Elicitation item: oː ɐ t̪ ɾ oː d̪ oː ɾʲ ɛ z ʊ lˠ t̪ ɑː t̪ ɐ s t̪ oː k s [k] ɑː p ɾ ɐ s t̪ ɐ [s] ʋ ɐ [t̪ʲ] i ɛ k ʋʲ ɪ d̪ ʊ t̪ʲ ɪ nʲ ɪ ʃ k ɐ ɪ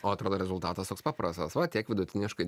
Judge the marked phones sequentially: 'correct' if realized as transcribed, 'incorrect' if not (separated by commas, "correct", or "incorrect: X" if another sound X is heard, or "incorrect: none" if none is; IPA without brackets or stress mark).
incorrect: p, correct, correct